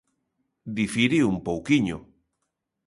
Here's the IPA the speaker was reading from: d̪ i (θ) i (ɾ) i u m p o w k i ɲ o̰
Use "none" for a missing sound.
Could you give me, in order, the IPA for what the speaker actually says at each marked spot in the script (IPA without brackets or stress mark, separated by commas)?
f, ɾ